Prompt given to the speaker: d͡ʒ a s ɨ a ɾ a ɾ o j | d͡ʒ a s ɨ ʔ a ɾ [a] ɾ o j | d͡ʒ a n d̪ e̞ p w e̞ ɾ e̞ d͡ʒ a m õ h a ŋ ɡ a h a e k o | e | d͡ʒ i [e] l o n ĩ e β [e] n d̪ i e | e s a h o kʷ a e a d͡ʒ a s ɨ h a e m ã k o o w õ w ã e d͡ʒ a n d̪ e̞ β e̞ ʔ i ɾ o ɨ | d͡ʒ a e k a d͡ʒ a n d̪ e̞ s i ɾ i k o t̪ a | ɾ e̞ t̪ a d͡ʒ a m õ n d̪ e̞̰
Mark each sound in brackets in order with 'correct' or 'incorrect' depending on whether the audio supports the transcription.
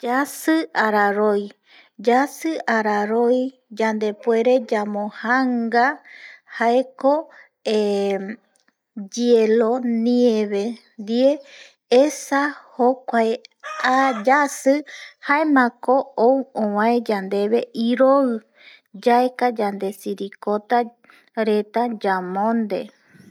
correct, correct, correct

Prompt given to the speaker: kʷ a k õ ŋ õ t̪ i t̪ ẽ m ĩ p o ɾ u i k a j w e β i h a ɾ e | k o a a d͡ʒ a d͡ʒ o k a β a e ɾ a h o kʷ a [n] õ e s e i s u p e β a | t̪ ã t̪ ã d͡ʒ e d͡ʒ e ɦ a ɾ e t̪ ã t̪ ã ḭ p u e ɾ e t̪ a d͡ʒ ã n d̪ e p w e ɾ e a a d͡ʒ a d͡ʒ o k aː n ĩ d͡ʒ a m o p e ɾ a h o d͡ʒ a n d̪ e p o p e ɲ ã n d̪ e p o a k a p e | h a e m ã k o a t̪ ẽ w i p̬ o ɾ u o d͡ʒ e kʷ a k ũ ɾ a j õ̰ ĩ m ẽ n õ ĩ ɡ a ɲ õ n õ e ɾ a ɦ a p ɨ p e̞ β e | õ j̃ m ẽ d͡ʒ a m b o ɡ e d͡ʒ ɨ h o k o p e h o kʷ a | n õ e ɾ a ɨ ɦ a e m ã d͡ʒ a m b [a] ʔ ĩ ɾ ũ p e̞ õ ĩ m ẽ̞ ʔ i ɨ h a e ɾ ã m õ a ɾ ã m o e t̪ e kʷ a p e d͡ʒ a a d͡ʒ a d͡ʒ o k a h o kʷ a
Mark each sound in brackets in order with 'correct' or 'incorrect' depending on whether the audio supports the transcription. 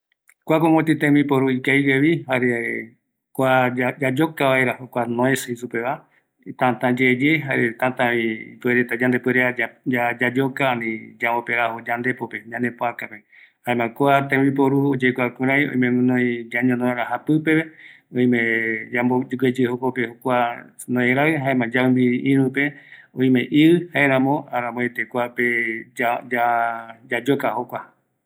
correct, incorrect

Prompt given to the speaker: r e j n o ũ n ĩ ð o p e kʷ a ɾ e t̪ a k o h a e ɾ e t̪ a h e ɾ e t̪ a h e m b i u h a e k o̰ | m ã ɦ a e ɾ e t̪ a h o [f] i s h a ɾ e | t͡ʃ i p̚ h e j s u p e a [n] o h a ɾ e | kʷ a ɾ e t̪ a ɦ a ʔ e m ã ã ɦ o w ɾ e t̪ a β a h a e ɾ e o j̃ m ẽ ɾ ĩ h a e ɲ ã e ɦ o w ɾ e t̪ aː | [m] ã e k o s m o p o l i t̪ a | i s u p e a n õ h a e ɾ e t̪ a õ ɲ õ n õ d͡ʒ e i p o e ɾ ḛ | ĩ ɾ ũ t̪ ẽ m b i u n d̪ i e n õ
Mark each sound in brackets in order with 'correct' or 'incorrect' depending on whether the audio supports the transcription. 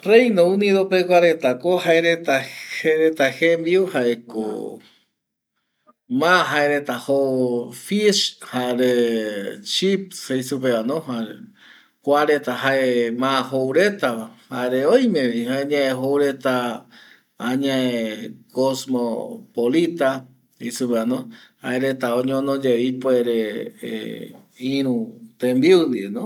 correct, correct, incorrect

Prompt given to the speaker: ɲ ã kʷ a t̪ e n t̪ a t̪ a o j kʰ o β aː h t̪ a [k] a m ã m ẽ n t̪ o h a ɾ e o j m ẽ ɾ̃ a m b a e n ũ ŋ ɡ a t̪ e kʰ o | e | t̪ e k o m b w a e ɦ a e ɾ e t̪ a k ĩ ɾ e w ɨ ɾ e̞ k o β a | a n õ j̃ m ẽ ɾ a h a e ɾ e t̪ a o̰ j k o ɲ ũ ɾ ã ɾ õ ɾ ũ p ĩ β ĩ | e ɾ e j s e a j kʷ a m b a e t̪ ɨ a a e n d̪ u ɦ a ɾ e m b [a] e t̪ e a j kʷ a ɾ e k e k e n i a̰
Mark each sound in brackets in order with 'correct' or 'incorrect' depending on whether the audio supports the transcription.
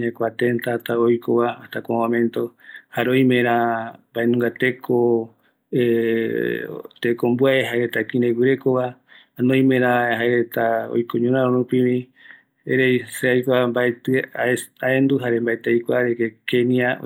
correct, correct

